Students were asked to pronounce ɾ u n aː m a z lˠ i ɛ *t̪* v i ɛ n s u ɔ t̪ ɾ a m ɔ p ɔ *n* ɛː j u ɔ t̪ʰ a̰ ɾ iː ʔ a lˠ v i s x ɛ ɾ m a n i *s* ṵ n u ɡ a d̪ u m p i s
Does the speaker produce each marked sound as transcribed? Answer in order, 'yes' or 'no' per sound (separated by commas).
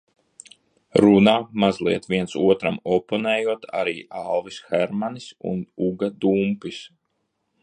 yes, yes, yes